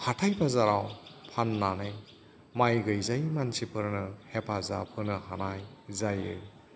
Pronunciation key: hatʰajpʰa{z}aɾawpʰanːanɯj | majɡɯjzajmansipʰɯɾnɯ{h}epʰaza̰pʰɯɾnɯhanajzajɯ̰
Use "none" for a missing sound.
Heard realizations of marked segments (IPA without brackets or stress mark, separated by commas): z, h